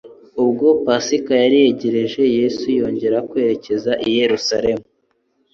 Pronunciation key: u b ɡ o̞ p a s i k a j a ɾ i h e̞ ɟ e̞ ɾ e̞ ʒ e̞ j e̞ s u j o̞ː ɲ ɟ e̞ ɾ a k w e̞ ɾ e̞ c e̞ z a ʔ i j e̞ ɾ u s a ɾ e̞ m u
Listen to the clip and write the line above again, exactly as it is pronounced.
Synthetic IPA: u b ɡ o̞ p a s i k a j a ɾ i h e̞ ɟ e̞ ɾ e̞ ʒ e̞ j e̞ s u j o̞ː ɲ ɟ e̞ ɾ a k w e̞ ɾ e̞ c e̞ z a ʔ i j e̞ ɾ u s a ɾ e̞ m u